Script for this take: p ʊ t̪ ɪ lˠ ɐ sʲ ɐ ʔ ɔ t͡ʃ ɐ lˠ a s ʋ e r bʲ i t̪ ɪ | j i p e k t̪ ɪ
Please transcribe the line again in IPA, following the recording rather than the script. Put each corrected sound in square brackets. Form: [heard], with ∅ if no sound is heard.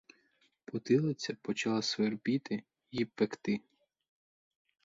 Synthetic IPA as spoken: p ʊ t̪ ɪ lˠ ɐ [t͡sʲ] ɐ [p] ɔ t͡ʃ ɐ lˠ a s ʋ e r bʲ i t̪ ɪ | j i p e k t̪ ɪ